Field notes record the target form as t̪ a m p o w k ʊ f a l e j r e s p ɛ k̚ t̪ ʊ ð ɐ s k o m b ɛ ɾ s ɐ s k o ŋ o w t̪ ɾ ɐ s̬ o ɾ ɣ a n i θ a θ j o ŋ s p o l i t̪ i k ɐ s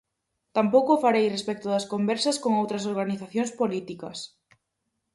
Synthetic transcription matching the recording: t̪ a m p o w k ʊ f a ɾ e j r e s p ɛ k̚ t̪ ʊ ð ɐ s k o m b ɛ ɾ s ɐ s k o ŋ o w t̪ ɾ ɐ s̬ o ɾ ɣ a n i θ a θ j o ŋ s p o l i t̪ i k ɐ s